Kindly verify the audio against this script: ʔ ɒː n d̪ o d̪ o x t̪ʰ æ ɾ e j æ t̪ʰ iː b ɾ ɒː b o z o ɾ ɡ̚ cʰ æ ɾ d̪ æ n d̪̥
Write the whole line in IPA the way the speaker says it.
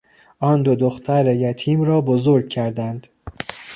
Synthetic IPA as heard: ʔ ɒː n d̪ o d̪ o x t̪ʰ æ ɾ e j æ t̪ʰ iː m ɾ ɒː b o z o ɾ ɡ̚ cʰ æ ɾ d̪ æ n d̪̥